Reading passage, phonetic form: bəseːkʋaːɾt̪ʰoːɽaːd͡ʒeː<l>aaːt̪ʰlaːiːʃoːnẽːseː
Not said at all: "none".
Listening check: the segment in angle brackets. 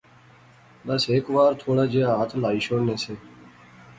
none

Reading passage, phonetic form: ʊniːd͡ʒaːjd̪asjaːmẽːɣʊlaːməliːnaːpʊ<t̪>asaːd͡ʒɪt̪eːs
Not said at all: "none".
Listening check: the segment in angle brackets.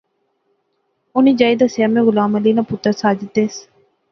t̪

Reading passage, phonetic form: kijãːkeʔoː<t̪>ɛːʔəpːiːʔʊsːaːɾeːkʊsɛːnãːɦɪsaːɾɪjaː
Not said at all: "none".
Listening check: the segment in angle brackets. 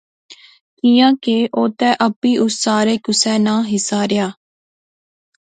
t̪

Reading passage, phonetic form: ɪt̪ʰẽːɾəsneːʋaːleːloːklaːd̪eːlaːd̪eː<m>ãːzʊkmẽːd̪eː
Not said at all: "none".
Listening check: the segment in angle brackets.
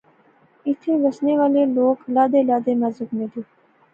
m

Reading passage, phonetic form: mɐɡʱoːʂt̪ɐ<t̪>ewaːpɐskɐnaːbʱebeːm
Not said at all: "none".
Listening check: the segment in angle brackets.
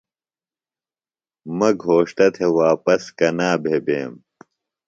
t̪ʰ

